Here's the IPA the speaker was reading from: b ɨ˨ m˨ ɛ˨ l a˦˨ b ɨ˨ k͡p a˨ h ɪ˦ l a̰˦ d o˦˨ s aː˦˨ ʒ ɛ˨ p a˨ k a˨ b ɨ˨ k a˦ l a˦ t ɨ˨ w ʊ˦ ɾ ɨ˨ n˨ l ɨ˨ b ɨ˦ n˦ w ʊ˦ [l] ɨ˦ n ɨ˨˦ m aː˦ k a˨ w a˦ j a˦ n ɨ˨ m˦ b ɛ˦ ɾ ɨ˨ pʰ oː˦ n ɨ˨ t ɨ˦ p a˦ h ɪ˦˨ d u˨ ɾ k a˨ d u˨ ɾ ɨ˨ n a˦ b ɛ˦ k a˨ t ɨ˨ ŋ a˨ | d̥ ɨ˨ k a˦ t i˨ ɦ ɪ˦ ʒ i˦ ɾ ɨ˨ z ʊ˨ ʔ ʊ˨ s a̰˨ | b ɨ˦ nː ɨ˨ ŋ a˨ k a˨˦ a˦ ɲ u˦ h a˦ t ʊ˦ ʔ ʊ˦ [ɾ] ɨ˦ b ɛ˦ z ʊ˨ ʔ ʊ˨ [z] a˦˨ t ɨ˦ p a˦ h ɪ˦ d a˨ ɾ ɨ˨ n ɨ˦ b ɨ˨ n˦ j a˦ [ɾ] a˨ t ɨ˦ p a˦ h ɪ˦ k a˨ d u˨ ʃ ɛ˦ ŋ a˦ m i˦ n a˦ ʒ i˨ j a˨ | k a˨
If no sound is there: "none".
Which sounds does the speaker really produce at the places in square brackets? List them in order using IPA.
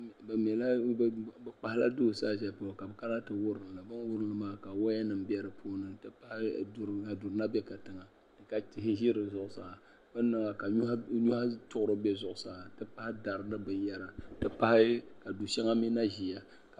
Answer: ɾ, ɾ, s, ɾ

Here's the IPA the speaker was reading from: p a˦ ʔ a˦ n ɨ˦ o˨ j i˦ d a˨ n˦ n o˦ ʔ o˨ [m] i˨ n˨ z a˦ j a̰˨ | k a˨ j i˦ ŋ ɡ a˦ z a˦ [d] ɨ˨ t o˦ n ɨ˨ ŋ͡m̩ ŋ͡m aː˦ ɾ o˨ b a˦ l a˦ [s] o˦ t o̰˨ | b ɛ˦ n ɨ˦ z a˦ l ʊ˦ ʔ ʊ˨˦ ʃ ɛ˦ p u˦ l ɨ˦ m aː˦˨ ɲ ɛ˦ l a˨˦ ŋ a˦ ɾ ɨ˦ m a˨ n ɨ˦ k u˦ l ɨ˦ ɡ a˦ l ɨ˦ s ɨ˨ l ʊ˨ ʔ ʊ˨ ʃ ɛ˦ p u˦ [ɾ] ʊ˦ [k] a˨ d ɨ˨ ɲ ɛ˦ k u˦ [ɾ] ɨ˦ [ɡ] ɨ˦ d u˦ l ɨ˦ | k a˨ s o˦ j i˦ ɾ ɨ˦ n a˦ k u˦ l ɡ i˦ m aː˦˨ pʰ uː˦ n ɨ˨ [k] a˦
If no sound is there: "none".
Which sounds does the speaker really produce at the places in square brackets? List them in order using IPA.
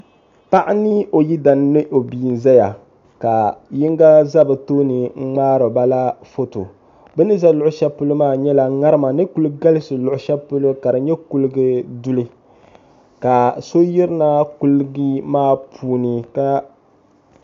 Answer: b, b, f, l, k, l, ɡ, k

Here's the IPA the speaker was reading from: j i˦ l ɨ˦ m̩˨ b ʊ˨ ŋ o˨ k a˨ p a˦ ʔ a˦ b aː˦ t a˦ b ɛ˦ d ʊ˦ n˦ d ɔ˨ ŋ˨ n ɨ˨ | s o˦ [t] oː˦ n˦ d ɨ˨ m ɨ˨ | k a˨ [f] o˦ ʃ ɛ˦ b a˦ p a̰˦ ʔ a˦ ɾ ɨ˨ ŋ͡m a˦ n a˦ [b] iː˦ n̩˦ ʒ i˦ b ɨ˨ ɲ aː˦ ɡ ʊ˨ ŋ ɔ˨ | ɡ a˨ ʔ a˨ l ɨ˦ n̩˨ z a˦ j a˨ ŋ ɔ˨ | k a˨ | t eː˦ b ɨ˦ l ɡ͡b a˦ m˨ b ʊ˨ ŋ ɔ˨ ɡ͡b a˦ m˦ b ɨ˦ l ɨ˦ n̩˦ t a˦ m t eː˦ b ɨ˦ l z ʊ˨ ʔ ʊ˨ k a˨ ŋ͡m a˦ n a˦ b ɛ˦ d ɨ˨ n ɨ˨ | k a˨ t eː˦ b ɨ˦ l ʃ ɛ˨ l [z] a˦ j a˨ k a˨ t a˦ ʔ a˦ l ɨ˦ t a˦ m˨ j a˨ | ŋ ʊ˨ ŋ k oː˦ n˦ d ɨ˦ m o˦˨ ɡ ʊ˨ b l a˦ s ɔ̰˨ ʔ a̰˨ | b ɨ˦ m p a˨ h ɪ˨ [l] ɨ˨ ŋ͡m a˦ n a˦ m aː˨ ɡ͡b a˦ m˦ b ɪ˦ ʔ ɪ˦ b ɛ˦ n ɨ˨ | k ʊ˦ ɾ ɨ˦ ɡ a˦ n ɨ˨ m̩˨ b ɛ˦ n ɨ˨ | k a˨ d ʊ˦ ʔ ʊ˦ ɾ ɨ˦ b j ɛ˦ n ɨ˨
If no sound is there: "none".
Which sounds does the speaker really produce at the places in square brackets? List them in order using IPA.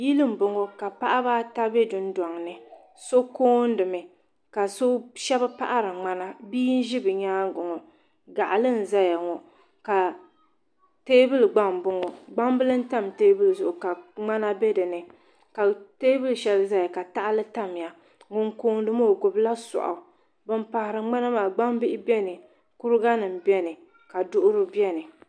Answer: k, s, b, z, ɾ

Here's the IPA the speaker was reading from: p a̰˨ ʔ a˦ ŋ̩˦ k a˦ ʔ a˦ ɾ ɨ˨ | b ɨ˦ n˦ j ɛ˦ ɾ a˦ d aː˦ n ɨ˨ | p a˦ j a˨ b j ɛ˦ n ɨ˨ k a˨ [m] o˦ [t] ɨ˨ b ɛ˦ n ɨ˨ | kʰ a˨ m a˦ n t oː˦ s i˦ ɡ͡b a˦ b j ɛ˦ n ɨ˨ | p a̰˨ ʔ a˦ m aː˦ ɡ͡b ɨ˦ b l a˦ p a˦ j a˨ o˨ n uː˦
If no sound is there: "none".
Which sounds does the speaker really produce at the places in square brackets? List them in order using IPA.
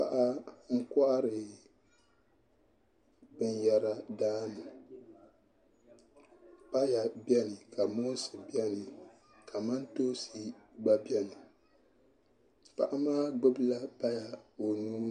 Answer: m, s

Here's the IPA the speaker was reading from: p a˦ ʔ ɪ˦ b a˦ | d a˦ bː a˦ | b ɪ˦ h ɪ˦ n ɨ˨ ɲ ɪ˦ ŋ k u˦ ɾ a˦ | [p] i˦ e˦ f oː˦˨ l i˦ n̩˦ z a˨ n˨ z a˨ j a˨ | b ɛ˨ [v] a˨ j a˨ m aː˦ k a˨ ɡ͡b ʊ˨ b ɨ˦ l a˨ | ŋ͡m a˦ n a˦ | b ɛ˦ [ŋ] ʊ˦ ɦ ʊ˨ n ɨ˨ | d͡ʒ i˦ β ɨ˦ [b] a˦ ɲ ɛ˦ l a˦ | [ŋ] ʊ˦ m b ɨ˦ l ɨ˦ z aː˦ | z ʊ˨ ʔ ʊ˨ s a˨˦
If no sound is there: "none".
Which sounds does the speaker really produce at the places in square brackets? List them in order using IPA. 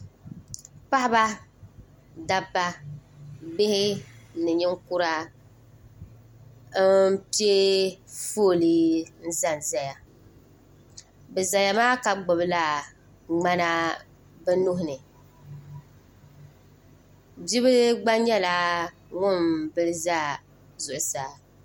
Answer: p, z, n, ɡ͡b, ŋ

